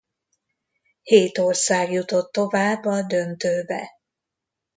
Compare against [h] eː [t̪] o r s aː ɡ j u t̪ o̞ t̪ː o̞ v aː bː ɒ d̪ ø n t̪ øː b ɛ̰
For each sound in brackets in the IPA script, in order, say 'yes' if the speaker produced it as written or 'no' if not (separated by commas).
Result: yes, yes